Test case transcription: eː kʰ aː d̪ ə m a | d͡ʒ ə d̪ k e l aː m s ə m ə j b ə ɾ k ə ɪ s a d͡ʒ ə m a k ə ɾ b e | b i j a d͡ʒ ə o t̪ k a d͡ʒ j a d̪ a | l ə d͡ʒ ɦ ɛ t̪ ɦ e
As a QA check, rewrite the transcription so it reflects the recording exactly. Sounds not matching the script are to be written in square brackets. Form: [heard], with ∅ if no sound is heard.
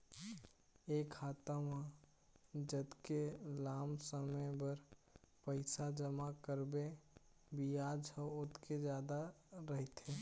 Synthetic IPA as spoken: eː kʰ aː [t̪] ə m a | d͡ʒ ə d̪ k e l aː m s ə m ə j b ə ɾ [p] ə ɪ s a d͡ʒ ə m a k ə ɾ b e | b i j a d͡ʒ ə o t̪ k [e] d͡ʒ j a d̪ a | [ɾ] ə [∅] ɦ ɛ t̪ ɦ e